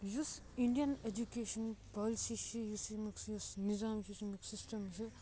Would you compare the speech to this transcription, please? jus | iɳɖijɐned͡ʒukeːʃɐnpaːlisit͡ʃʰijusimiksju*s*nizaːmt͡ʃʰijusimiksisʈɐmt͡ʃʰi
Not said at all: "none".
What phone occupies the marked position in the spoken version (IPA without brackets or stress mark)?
s